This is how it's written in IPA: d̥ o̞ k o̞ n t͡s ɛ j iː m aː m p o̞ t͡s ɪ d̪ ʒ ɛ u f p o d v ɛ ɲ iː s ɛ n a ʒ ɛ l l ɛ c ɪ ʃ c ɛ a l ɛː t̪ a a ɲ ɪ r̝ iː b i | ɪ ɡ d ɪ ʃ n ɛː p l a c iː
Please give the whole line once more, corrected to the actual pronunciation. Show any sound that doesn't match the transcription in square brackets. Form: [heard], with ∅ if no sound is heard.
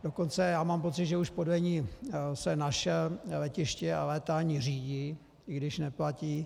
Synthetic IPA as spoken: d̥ o̞ k o̞ n t͡s ɛ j [aː] m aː m p o̞ t͡s ɪ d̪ ʒ ɛ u [ʃ] p o d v ɛ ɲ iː s ɛ n a [ʃ] ɛ l l ɛ c ɪ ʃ c ɛ a l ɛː t̪ a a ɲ ɪ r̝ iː [ɟ] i | ɪ ɡ d ɪ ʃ n [ɛ] p l a c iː